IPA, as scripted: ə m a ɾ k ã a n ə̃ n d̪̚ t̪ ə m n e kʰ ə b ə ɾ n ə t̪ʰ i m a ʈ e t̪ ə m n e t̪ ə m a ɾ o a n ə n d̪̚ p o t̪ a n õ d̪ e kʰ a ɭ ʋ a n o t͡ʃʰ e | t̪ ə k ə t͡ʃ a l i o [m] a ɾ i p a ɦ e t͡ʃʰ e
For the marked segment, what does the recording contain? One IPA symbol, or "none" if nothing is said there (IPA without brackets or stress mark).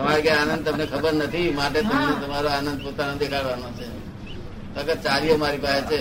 m